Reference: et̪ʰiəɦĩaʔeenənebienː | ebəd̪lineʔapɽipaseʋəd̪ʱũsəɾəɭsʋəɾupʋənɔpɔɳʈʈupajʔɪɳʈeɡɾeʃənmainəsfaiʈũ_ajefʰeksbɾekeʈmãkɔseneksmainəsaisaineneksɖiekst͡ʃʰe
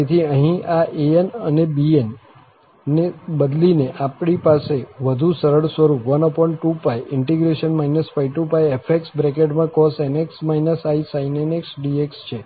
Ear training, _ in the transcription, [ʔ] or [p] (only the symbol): p